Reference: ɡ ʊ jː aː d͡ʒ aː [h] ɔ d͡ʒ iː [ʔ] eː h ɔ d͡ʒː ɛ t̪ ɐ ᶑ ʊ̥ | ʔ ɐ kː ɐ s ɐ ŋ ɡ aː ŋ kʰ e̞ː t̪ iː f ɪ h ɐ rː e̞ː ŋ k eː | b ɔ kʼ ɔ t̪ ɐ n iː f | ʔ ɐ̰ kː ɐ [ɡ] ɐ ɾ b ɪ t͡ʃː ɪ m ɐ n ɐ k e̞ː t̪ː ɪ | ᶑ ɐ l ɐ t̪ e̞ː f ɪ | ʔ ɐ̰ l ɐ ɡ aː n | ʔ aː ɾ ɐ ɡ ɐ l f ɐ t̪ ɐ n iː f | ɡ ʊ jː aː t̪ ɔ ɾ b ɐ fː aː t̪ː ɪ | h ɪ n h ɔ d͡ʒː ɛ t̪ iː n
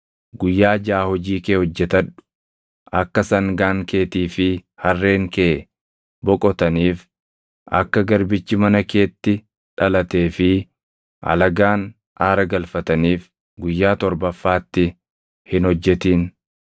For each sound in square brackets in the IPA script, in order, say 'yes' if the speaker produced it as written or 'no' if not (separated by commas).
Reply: yes, no, yes